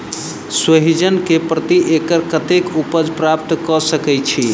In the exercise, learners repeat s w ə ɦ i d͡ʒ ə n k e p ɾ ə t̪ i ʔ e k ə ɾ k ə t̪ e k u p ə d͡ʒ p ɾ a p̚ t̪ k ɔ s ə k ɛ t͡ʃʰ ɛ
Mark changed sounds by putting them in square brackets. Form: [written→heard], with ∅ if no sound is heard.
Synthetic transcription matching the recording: s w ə ɦ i d͡ʒ ə n k e p ɾ ə t̪ i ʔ e k ə ɾ k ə t̪ e k u p ə d͡ʒ p ɾ a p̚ t̪ k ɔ s ə k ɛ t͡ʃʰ [ɛ→i]